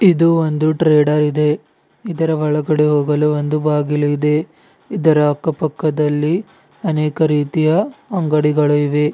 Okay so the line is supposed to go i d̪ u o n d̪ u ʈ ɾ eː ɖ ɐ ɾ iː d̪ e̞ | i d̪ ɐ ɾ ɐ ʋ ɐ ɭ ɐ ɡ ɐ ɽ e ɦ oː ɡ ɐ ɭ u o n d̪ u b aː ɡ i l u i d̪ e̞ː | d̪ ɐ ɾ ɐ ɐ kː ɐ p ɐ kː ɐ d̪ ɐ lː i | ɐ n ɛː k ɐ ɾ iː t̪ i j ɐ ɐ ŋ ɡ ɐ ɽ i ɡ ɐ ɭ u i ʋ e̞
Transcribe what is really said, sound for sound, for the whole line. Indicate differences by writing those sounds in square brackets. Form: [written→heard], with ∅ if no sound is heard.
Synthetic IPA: i d̪ u o n d̪ u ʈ ɾ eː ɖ ɐ ɾ [iː→i] d̪ e̞ | i d̪ ɐ ɾ ɐ ʋ ɐ ɭ ɐ ɡ ɐ ɽ e ɦ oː ɡ ɐ [ɭ→l] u o n d̪ u b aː ɡ i l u i d̪ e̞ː | d̪ ɐ ɾ ɐ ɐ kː ɐ p ɐ kː ɐ d̪ ɐ lː i | ɐ n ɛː k ɐ ɾ iː t̪ i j ɐ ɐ ŋ ɡ ɐ ɽ i ɡ ɐ ɭ u i ʋ e̞